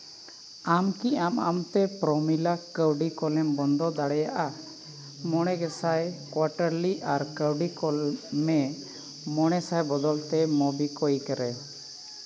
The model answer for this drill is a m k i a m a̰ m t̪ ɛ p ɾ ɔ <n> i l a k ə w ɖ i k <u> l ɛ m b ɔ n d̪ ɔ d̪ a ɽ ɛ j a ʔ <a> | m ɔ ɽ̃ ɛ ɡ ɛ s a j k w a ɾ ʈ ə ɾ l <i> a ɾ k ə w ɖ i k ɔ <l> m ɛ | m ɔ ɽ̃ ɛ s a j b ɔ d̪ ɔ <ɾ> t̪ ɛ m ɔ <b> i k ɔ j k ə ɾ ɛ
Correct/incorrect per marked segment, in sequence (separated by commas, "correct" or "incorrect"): incorrect, incorrect, correct, correct, correct, incorrect, correct